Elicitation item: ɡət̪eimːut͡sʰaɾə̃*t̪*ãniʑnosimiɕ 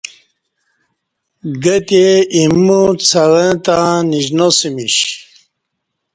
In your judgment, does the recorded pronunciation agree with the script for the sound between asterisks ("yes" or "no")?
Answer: yes